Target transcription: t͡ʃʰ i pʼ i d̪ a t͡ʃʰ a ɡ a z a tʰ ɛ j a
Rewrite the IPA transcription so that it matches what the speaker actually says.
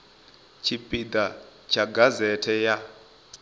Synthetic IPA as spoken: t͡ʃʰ i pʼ i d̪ a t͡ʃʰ a ɡ a z ɛ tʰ ɛ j a